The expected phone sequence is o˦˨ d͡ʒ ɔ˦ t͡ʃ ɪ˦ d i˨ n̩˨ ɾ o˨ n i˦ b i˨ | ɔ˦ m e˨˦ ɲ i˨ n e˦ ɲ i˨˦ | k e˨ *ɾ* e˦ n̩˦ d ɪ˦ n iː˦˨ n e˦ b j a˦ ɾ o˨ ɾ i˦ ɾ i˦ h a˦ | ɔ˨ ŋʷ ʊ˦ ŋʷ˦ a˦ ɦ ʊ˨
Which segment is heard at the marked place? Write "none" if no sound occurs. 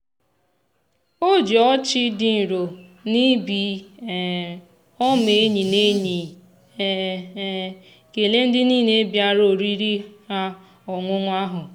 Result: l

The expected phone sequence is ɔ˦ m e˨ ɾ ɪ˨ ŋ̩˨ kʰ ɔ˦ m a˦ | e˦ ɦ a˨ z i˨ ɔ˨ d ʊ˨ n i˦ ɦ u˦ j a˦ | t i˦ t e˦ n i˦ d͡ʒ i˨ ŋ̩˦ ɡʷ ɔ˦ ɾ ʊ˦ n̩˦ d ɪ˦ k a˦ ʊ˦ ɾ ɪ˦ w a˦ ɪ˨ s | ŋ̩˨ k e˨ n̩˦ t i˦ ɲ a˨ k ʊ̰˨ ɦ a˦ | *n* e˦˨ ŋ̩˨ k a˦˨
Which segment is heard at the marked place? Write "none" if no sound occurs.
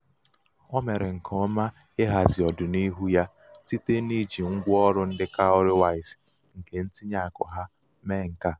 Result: m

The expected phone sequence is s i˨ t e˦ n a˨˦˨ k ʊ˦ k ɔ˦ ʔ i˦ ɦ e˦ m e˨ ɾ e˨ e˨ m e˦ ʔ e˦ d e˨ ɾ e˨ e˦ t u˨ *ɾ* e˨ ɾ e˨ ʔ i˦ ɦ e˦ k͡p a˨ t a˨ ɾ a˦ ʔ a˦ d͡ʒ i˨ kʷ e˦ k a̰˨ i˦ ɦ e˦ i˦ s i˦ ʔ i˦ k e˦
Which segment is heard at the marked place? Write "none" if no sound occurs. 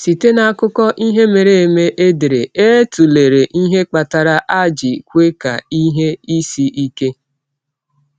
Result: l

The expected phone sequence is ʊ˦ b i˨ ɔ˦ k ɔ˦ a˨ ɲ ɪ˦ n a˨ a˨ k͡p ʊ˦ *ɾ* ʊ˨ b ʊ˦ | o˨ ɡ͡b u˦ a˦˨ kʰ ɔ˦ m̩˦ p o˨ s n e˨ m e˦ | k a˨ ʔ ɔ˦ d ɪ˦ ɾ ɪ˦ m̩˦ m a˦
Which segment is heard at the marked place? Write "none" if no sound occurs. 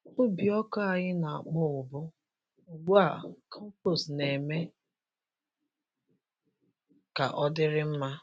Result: none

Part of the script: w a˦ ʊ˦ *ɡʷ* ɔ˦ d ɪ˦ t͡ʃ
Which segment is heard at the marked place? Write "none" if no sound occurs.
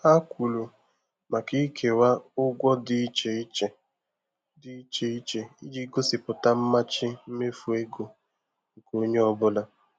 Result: ɡʷ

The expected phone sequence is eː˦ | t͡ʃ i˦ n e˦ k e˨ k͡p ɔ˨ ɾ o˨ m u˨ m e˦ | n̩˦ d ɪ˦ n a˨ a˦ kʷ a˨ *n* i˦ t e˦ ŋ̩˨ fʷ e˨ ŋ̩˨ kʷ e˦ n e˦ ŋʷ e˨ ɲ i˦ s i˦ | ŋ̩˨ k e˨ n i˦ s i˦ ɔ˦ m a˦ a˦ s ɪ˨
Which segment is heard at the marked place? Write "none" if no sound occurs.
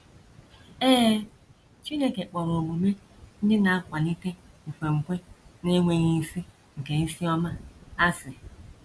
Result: n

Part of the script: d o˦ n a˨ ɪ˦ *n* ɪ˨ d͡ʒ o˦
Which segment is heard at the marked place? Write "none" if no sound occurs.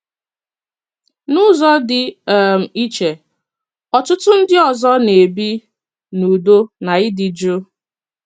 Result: d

